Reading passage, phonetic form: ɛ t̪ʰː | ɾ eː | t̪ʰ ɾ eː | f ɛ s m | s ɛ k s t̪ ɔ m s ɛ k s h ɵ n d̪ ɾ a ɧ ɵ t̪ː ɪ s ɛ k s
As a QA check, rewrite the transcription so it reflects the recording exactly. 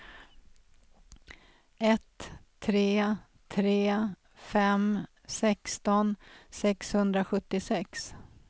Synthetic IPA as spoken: ɛ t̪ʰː | ɾ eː | t̪ʰ ɾ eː | f ɛ m | s ɛ k s t̪ ɔ n s ɛ k s h ɵ n d̪ ɾ a ɧ ɵ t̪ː ɪ s ɛ k s

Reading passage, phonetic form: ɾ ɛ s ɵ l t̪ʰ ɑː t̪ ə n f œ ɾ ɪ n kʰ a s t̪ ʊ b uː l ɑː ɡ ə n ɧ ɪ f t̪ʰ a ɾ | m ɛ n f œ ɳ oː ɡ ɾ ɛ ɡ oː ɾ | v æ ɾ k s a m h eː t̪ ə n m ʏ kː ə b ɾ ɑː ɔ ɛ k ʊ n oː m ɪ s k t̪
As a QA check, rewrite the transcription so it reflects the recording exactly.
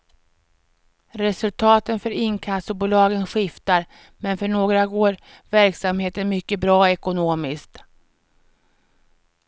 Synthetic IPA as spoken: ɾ ɛ s ɵ l t̪ʰ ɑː t̪ ə n f œ ɾ ɪ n kʰ a s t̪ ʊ b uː l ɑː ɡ ə n ɧ ɪ f t̪ a ɾ | m ɛ n f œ ɳ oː ɡ ɾ a ɡ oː ɾ | v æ ɾ k s a m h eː t̪ ə n m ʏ kː ə b ɾ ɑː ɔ ɛ k ʊ n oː m ɪ s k t̪

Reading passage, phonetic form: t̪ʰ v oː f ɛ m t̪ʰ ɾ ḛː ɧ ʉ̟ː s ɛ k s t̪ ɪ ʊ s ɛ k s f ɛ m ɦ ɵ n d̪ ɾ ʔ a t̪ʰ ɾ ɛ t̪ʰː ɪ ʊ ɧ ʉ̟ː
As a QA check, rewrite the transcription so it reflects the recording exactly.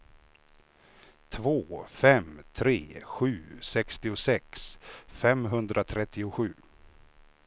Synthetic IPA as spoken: t̪ʰ v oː f ɛ m t̪ʰ ɾ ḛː ɧ ʉ̟ː s ɛ k s t̪ ɪ ʊ s ɛ k s f ɛ m ɦ ɵ n d̪ ɾ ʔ a t̪ʰ ɾ ɛ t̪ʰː ɪ ʊ ɧ ʉ̟ː

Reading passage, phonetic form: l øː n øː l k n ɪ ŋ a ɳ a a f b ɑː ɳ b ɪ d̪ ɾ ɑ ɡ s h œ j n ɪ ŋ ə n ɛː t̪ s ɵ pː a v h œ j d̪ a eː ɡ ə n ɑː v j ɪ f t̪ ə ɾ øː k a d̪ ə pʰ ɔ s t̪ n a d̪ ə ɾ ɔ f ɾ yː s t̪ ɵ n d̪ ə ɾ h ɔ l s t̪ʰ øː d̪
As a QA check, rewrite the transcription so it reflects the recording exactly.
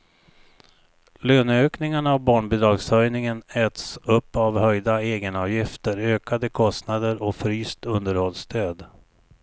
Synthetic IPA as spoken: l øː n øː k n ɪ ŋ a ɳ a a v b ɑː ɳ b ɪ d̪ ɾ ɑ ɡ s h œ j n ɪ ŋ ə n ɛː t̪ s ɵ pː a v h œ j d̪ a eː ɡ ə n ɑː v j ɪ f t̪ ə ɾ øː k a d̪ ə kʰ ɔ s t̪ n a d̪ ə ɾ ɔ f ɾ yː s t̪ ɵ n d̪ ə ɾ h ɔ l s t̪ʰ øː d̪

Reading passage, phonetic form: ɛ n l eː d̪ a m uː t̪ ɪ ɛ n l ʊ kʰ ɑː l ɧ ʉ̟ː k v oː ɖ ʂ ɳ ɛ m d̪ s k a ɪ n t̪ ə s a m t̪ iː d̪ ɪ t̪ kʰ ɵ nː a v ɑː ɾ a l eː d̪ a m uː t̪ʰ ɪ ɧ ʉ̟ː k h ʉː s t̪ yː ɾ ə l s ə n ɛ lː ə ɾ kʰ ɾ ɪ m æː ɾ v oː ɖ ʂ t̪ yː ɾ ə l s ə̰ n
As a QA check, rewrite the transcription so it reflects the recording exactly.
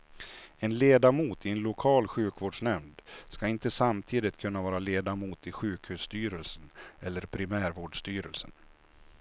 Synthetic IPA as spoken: ɛ n l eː d̪ a m uː t̪ ɪ ɛ n l ʊ kʰ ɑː l ɧ ʉ̟ː k v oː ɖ ʂ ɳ ɛ m d̪ s k a ɪ n t̪ ə s a m t̪ʰ iː d̪ ɪ t̪ kʰ ɵ nː a v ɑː ɾ a l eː d̪ a m uː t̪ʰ ɪ ɧ ʉ̟ː k h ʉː s t̪ yː ɾ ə l s ə n ɛ lː ə ɾ pʰ ɾ ɪ m æː ɾ v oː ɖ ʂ t̪ yː ɾ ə l s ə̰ n

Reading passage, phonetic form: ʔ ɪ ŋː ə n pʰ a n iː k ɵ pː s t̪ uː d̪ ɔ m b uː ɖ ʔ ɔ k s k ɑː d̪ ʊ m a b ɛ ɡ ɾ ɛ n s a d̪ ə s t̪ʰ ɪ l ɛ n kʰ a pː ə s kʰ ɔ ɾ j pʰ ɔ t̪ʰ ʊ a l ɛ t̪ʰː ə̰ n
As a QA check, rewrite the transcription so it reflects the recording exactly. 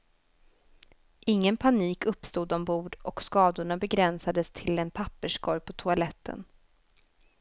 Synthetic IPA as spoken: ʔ ɪ ŋː ə n pʰ a n iː k ɵ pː s t̪ uː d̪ ɔ m b uː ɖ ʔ ɔ k s k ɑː d̪ ʊ ɳ a b ɛ ɡ ɾ ɛ n s a d̪ ə s t̪ʰ ɪ l ɛ n pʰ a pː ə ʂ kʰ ɔ ɾ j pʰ ɔ t̪ʰ ʊ a l ɛ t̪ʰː ə̰ n

